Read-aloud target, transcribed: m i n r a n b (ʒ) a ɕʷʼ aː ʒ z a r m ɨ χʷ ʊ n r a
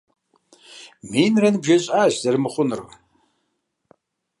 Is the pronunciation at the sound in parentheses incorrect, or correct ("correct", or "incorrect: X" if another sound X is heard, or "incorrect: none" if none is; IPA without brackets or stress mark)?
correct